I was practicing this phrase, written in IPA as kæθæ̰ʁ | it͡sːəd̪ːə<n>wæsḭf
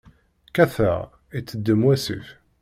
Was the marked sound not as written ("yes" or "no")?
yes